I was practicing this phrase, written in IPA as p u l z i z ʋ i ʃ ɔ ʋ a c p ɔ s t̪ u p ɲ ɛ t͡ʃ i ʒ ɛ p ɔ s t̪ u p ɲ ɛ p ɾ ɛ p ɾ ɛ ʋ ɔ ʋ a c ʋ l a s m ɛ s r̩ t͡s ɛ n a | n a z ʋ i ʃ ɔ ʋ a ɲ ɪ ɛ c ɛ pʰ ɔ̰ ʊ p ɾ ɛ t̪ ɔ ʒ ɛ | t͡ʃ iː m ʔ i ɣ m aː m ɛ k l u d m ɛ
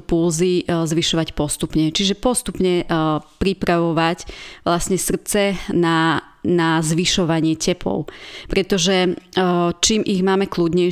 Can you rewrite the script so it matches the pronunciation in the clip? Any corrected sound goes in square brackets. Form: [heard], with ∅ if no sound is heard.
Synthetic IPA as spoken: p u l z i z ʋ i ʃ ɔ ʋ a c p ɔ s t̪ u p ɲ ɛ t͡ʃ i ʒ ɛ p ɔ s t̪ u p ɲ ɛ p ɾ [i] p ɾ [a] ʋ ɔ ʋ a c ʋ l a s [ɲ] ɛ s r̩ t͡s ɛ n a | n a z ʋ i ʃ ɔ ʋ a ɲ ɪ ɛ c ɛ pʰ ɔ̰ ʊ p ɾ ɛ t̪ ɔ ʒ ɛ | t͡ʃ iː m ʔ i ɣ m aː m ɛ k l u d [ɲ] ɛ